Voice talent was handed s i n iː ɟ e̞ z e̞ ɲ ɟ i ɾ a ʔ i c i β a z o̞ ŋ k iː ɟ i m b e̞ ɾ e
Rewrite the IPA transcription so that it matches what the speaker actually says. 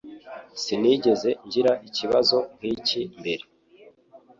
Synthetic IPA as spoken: s i n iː ɟ e̞ z e̞ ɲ ɟ i ɾ a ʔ i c i β a z o̞ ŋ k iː c i m b e̞ ɾ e

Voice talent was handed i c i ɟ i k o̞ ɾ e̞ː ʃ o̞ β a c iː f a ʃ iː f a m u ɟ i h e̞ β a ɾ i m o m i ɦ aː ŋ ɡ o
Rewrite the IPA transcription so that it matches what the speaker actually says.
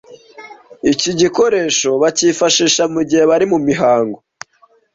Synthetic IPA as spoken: i c i ɟ i k o̞ ɾ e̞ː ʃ o̞ β a c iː f a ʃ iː ʃ a m u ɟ i h e̞ β a ɾ i m u m i ɦ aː ŋ ɡ o

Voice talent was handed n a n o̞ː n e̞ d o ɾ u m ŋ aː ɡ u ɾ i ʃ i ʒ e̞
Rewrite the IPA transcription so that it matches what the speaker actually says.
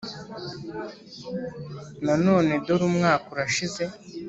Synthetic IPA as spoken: n a n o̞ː n e̞ d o ɾ u m ŋ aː k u ɾ a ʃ i z e̞

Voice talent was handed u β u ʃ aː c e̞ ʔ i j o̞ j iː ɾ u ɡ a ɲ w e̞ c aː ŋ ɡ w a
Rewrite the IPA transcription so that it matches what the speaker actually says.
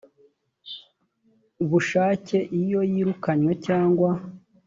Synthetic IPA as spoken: u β u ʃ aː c e̞ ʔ i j o̞ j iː ɾ u k a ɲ w e̞ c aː ŋ ɡ w a

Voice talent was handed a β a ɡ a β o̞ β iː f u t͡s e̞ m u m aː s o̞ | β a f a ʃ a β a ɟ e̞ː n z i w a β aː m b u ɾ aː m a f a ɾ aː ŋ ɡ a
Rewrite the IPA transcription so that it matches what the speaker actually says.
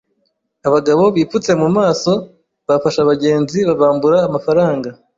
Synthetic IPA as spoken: a β a ɡ a β o̞ β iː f u t͡s e̞ m u m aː s o̞ | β a f a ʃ a β a ɟ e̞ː n z i β a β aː m b u ɾ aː m a f a ɾ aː ŋ ɡ a

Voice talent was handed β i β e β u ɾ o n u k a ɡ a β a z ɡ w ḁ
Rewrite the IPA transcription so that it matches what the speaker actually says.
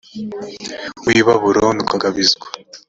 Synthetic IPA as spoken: w i β a β u ɾ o n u k a ɡ a β i z ɡ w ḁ

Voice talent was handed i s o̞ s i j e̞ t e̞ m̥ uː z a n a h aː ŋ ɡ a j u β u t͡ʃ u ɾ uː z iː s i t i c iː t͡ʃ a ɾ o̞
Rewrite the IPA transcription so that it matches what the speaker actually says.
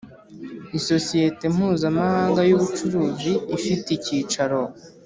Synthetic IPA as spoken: i s o̞ s i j e̞ t e̞ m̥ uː z a m a h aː ŋ ɡ a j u β u t͡ʃ u ɾ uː z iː f i t i c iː t͡ʃ a ɾ o̞

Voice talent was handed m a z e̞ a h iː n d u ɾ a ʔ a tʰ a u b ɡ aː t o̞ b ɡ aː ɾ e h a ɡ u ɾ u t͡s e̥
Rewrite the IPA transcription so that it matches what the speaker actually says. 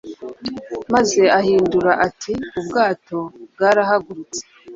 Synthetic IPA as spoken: m a z e̞ a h iː n d u ɾ a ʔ a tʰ i u b ɡ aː t o̞ b ɡ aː ɾ a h a ɡ u ɾ u t͡s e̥

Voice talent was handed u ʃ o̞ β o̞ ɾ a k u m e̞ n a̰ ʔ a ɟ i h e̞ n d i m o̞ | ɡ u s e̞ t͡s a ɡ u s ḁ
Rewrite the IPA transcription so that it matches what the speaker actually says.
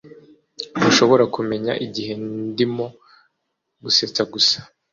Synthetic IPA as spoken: u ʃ o̞ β o̞ ɾ a k u m e̞ ɲ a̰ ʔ i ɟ i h e̞ n d i m o̞ | ɡ u s e̞ t͡s a ɡ u s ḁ

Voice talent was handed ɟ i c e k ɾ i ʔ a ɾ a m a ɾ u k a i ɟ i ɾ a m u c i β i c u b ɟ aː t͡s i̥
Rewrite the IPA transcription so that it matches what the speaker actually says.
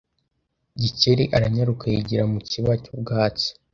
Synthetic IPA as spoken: ɟ i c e ɾ i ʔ a ɾ a ɲ a ɾ u k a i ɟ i ɾ a m u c i β a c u b ɡ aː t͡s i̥

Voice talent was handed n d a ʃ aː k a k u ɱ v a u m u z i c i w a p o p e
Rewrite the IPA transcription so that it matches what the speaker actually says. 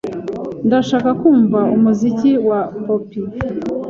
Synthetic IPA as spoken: n d a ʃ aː k a k uː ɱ v a u m u z i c i w a p o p i

